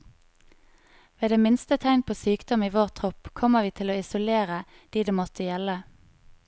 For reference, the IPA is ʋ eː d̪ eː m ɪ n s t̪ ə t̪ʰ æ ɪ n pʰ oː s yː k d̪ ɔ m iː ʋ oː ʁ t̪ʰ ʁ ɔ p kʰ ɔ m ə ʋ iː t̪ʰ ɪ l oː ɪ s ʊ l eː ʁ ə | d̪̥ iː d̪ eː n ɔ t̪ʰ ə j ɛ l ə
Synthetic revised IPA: ʋ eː d̪ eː m ɪ n s t̪ ə t̪ʰ æ ɪ n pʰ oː s yː k d̪ ɔ m iː ʋ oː ʁ t̪ʰ ʁ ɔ p kʰ ɔ m ə ʋ iː t̪ʰ ɪ l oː ɪ s ʊ l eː ʁ ə | d̪̥ iː d̪ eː m ɔ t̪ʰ ə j ɛ l ə